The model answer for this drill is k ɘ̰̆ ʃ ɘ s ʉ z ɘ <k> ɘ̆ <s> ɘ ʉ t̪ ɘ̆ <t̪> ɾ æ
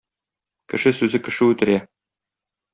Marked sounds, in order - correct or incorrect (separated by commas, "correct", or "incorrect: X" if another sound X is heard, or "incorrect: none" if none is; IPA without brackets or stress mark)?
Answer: correct, incorrect: ʃ, incorrect: none